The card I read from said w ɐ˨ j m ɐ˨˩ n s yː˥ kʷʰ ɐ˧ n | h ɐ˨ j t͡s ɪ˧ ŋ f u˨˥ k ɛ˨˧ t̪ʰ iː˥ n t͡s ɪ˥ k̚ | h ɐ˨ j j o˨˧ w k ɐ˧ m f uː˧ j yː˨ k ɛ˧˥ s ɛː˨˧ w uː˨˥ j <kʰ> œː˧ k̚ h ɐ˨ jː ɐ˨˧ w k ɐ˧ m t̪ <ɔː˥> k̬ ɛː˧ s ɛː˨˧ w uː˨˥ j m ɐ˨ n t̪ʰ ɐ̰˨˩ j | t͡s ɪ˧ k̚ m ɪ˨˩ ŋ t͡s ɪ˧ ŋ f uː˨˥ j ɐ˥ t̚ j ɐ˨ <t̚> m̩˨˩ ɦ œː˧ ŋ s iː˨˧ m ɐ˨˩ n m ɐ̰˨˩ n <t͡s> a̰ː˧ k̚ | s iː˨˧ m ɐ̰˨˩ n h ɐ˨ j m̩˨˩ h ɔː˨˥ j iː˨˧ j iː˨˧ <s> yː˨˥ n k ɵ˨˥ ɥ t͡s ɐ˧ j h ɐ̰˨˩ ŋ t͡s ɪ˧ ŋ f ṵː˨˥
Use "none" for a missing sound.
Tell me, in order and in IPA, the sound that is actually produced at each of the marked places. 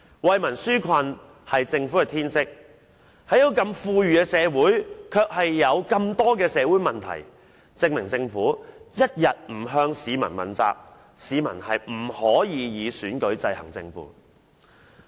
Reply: kʰ, ɔː˥, t̚, t͡s, s

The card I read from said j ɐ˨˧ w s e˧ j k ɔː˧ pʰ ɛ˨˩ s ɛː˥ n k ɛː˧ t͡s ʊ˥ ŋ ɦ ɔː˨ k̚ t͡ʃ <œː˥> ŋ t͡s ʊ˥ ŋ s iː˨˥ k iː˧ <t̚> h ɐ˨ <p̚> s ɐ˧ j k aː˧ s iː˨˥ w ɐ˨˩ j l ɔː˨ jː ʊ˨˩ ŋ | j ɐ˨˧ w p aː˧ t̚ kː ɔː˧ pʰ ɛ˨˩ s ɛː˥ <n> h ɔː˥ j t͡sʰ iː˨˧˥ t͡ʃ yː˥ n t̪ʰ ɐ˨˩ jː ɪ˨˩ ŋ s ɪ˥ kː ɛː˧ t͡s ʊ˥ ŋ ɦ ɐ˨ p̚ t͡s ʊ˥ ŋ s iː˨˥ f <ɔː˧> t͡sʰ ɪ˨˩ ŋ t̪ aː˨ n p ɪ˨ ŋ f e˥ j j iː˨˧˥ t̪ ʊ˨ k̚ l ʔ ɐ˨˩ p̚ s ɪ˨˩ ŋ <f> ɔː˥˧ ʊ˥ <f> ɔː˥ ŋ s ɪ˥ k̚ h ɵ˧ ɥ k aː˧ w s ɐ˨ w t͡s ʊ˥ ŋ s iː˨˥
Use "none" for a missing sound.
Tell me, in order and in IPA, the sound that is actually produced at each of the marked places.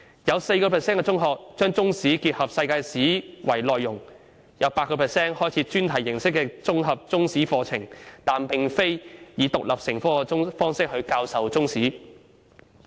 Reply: œː˥, t̚, p̚, n, ɔː˧, f, f

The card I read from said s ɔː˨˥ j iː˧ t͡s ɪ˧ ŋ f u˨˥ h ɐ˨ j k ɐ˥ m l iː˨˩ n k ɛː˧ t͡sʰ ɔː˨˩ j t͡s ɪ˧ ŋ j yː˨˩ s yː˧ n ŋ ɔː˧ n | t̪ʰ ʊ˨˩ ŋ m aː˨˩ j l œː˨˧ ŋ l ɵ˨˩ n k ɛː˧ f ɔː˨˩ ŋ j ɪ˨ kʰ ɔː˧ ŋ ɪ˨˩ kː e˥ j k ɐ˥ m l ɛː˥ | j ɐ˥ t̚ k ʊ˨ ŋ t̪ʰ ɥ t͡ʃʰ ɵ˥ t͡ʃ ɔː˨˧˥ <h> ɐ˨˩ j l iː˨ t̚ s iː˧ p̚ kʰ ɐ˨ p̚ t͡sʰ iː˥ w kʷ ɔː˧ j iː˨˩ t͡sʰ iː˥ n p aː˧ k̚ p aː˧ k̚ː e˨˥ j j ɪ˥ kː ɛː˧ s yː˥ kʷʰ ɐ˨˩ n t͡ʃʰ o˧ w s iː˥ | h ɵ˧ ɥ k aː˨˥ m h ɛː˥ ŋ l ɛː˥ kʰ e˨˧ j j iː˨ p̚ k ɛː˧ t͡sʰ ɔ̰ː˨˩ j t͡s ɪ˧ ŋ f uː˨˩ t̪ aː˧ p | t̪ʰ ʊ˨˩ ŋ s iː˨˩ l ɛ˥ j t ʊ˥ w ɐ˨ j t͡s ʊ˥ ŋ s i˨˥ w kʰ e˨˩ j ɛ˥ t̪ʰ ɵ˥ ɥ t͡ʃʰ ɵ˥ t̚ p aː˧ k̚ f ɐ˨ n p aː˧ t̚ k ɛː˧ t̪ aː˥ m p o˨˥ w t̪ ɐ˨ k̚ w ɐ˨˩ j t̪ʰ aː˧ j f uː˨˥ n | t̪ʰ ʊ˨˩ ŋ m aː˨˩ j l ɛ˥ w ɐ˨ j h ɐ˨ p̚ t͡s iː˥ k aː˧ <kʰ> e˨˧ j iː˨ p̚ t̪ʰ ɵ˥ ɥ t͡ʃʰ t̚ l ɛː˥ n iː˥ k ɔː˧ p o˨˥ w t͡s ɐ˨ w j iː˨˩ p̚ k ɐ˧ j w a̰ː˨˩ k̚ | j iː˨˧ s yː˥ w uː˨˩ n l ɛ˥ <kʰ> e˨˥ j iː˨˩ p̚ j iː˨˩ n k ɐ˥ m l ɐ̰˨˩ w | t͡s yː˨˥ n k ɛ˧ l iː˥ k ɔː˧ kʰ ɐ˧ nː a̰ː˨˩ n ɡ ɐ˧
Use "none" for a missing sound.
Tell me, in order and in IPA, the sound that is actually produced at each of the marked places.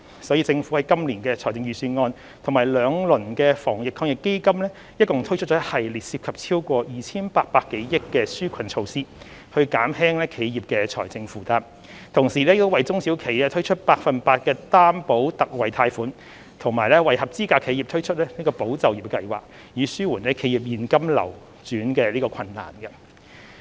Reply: h, kʰ, kʰ

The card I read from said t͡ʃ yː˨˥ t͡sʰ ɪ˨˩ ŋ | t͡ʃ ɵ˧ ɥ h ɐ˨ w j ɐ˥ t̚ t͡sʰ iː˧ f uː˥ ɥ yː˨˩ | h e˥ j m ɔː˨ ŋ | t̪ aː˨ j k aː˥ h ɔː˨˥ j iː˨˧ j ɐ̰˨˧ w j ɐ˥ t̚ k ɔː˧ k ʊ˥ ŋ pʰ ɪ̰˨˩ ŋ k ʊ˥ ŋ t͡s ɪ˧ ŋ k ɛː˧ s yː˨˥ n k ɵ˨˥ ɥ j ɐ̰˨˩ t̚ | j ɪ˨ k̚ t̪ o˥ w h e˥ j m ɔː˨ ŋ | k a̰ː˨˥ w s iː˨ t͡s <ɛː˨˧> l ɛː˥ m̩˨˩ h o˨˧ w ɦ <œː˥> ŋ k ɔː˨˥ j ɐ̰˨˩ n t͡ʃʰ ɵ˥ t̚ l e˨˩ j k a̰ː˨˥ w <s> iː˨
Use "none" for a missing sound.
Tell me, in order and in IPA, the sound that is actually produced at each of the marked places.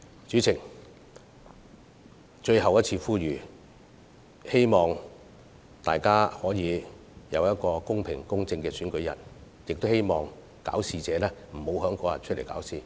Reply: ɛː˨˧, œː˨˥, s

